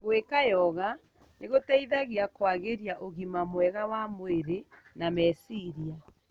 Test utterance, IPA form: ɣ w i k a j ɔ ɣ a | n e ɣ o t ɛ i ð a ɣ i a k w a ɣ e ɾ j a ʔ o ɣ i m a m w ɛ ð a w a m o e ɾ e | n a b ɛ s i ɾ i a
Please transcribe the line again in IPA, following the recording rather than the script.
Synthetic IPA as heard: ɣ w e k a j ɔ ɣ a | n e ɣ o t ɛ i ð a ɣ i a k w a ɣ e ɾ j a ʔ o ɣ i m a m w ɛ ɣ a w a m o e ɾ e | n a m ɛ s i ɾ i a